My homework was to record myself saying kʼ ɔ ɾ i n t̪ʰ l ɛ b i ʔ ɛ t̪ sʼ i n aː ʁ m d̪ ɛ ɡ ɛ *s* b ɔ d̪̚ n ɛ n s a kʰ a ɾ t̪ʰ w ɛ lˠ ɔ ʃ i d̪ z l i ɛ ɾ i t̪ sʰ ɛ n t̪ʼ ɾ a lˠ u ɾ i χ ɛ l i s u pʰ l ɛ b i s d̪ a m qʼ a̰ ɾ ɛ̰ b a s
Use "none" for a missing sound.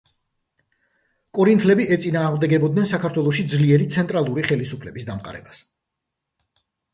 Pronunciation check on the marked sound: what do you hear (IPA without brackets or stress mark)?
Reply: none